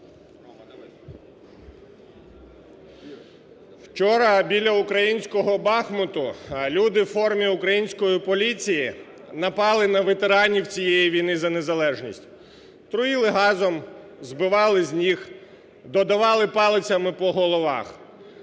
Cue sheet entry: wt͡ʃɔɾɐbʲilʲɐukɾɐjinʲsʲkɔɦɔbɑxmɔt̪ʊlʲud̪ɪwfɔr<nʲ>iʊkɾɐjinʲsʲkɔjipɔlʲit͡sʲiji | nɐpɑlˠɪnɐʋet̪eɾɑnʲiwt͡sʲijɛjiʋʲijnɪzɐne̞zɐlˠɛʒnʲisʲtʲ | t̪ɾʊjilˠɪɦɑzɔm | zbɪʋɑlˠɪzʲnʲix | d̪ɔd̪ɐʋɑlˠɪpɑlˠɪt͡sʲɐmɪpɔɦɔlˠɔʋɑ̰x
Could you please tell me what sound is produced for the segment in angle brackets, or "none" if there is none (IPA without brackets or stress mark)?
mʲ